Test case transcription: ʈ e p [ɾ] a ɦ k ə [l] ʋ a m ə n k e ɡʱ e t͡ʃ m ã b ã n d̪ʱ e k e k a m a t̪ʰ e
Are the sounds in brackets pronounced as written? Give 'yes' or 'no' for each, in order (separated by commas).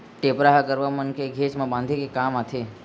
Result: yes, no